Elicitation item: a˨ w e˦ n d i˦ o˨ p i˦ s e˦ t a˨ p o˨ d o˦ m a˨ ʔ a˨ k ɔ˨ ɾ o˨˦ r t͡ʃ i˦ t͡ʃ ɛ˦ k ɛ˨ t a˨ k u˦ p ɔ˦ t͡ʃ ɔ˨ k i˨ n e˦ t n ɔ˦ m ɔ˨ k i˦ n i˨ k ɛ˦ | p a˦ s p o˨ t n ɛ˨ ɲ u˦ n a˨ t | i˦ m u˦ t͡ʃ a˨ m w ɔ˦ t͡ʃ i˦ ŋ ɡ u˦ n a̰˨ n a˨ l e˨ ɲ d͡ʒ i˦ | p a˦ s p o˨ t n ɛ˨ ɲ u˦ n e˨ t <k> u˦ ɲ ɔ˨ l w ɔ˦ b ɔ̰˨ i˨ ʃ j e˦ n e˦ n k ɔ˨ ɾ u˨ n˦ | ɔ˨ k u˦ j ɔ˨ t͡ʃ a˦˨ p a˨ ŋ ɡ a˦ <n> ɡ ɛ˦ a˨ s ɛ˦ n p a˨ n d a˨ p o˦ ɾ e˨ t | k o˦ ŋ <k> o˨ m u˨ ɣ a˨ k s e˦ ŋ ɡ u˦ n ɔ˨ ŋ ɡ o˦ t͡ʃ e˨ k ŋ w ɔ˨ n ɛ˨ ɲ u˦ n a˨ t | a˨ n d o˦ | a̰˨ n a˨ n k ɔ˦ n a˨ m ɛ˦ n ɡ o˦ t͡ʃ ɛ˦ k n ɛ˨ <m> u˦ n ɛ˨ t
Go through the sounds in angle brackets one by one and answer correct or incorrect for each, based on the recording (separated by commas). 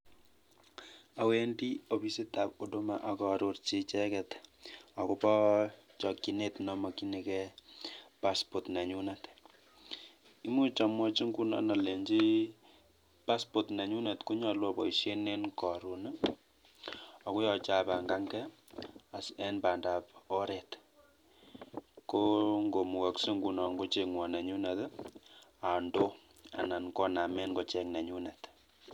correct, incorrect, incorrect, incorrect